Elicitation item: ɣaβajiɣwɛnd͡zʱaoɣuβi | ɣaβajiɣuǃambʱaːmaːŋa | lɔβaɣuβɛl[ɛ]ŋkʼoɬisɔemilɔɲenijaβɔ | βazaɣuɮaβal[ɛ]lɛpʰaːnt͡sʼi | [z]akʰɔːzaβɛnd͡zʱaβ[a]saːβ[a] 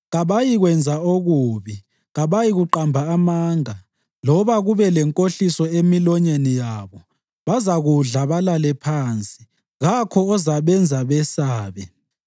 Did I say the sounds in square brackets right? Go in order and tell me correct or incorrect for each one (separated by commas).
correct, incorrect, incorrect, incorrect, incorrect